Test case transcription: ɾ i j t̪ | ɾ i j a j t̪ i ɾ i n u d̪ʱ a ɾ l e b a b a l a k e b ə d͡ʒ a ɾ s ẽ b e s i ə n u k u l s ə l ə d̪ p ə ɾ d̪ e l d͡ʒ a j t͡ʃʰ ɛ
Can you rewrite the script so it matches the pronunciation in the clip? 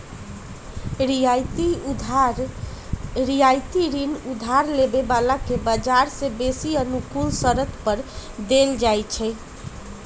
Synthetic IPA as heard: ɾ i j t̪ | ɾ i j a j t̪ i ɾ i n u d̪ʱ a ɾ l e b e b a l a k e b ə d͡ʒ a ɾ s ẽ b e s i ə n u k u l s ə ɾ ə t̪ p ə ɾ d̪ e l d͡ʒ a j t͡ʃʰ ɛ